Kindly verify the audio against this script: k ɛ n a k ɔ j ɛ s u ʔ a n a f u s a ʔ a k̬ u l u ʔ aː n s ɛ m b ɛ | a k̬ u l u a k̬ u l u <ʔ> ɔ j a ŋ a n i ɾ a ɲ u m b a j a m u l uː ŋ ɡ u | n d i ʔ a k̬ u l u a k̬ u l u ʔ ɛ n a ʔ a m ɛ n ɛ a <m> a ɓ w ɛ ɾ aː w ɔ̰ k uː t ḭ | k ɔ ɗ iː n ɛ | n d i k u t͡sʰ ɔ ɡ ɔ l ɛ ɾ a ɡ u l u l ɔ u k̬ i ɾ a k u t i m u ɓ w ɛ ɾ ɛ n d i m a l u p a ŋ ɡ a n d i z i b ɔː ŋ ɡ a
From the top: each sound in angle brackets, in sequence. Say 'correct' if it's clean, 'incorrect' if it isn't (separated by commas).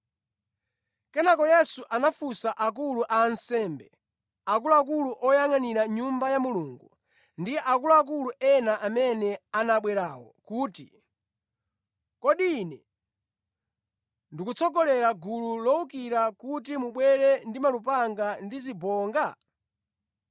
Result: correct, incorrect